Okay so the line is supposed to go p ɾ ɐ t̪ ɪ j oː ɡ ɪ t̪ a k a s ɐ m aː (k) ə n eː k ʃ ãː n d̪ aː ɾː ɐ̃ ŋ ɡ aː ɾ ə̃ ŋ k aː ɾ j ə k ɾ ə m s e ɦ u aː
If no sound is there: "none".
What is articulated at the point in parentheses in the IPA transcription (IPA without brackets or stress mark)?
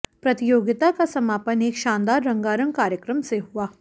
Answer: p